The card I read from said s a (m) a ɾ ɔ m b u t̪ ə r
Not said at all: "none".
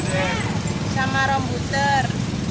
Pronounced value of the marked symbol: m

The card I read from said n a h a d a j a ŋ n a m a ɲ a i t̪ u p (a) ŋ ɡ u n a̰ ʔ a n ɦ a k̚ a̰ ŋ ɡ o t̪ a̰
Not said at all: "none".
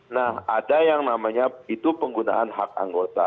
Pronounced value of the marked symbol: ə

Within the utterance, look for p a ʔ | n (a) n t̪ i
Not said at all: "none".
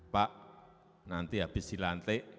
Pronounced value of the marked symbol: a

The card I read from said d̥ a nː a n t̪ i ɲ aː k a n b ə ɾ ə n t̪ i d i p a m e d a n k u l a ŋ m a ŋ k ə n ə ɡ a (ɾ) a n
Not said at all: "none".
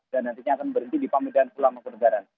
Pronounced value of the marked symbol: ɾ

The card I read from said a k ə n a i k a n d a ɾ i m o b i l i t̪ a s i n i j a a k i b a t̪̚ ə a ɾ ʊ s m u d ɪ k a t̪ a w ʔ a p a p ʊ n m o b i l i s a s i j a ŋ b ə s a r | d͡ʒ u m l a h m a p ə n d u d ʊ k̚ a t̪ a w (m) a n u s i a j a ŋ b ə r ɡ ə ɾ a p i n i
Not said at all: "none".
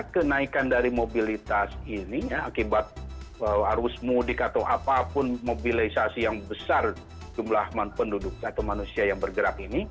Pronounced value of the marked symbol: m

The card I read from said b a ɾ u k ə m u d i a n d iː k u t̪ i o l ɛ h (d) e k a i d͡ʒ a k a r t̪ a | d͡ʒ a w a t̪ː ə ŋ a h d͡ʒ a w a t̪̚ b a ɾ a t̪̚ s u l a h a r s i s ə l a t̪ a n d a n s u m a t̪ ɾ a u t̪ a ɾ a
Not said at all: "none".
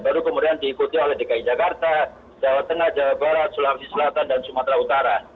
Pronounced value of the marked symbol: d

